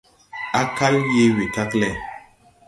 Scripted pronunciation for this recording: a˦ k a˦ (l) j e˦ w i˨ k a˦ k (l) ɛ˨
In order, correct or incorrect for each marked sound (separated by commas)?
correct, correct